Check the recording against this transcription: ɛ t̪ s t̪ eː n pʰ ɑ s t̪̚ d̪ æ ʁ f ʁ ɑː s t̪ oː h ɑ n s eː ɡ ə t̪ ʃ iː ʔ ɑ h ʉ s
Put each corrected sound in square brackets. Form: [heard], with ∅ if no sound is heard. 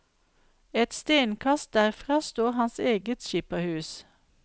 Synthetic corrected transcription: ɛ t̪ s t̪ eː n [kʰ] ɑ s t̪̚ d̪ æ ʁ f ʁ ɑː s t̪ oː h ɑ n s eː ɡ ə t̪ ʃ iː [p] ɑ h [ʉː] s